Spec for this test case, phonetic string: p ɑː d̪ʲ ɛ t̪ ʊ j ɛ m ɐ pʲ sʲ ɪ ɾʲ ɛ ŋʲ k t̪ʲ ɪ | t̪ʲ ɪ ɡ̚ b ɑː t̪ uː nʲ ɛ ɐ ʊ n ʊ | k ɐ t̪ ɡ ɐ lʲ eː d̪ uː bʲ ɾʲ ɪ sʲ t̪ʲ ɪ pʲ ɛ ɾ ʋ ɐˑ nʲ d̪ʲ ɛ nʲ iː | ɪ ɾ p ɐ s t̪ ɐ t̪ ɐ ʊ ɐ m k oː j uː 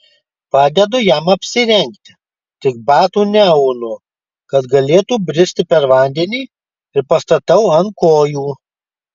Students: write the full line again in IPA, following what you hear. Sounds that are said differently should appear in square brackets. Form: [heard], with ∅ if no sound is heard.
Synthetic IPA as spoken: p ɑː d̪ʲ ɛ [d̪] ʊ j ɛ m ɐ pʲ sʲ ɪ ɾʲ ɛ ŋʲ k t̪ʲ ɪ | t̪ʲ ɪ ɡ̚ b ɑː t̪ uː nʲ ɛ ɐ ʊ n ʊ | k ɐ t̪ ɡ ɐ lʲ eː [t̪] uː bʲ ɾʲ ɪ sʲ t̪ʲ ɪ pʲ ɛ ɾ ʋ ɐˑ nʲ d̪ʲ ɛ nʲ iː | ɪ ɾ p ɐ s t̪ ɐ t̪ ɐ ʊ ɐ [n] k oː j uː

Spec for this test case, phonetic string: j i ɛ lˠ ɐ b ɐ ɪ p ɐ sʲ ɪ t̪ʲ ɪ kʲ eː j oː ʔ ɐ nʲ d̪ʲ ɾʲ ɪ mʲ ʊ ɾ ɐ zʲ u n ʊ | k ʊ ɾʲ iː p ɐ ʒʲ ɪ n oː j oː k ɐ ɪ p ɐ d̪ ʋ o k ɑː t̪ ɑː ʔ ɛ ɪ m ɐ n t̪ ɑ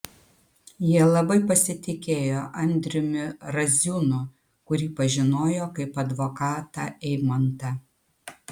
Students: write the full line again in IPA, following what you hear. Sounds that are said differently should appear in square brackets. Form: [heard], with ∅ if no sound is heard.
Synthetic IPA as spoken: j i ɛ lˠ ɐ b ɐ ɪ p ɐ sʲ ɪ t̪ʲ ɪ kʲ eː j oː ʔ ɐ nʲ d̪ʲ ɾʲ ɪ mʲ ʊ ɾ ɐ zʲ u n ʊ | k ʊ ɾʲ iː p ɐ ʒʲ ɪ n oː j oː k ɐ ɪ p ɐ d̪ ʋ o k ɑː t̪ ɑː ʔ ɛ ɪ m ɐ n t̪ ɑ

